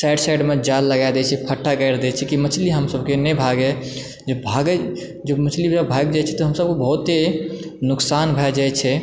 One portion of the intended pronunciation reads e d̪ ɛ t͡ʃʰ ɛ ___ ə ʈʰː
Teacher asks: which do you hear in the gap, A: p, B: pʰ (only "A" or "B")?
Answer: B